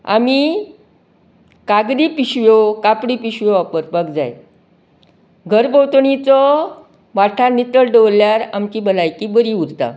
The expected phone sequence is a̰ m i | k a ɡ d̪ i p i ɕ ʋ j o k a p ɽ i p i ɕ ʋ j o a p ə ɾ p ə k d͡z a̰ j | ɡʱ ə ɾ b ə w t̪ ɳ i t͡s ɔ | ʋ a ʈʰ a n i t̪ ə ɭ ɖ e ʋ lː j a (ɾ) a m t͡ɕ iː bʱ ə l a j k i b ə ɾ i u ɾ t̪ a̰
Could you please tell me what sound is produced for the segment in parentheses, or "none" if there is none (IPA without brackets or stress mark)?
ɾ